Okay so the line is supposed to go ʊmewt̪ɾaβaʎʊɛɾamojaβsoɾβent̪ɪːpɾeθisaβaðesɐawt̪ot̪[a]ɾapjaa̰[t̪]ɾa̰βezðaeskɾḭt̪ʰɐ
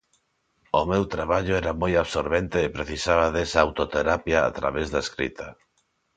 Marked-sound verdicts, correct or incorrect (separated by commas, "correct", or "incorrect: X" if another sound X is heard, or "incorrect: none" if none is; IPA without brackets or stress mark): incorrect: e, correct